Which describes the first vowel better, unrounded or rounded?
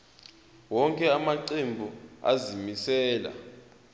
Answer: rounded